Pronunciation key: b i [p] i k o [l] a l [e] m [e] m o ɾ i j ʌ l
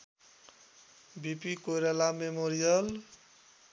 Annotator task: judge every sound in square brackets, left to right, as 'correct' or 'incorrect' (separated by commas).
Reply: correct, incorrect, incorrect, correct